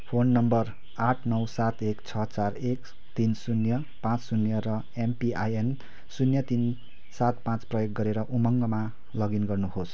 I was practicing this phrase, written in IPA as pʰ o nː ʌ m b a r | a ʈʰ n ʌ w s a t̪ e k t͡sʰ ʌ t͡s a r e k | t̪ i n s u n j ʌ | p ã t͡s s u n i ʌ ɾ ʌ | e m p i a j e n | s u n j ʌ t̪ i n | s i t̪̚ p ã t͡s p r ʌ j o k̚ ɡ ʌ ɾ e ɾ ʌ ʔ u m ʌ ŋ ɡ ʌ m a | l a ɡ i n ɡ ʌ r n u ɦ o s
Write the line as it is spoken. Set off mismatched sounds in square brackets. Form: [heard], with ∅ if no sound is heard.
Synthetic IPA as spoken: pʰ o nː ʌ m b [ʌ] r | a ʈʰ n ʌ w s a t̪ e k t͡sʰ ʌ t͡s a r e k | t̪ i n s u n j ʌ | p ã t͡s s u n [j] ʌ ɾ ʌ | e m p i a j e n | s u n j ʌ t̪ i n | s [a] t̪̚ p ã t͡s p r ʌ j o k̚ ɡ ʌ ɾ e ɾ ʌ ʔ u m ʌ ŋ ɡ ʌ m a | l [ʌ] ɡ i n ɡ ʌ r n u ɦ o s